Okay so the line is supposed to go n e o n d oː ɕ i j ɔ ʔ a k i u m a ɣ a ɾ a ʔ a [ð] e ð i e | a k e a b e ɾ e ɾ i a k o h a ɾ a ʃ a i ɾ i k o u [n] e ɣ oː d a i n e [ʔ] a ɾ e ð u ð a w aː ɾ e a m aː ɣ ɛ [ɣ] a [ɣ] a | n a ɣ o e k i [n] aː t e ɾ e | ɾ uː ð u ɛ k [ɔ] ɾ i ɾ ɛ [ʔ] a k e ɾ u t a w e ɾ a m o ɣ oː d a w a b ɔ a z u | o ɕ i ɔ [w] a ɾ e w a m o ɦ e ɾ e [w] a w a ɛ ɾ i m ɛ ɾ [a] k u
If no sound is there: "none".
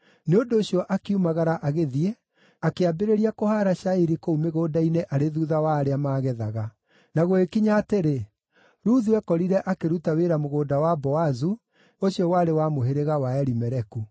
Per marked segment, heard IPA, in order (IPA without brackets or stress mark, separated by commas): ɣ, m, ʔ, ð, ɣ, ɲ, ɔ, ʔ, w, ɣ, ɛ